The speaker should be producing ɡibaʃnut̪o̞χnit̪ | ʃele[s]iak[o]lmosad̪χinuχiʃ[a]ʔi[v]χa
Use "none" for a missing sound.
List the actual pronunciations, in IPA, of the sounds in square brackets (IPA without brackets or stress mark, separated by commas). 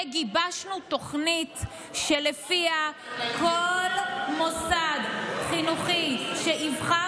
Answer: f, o, e, v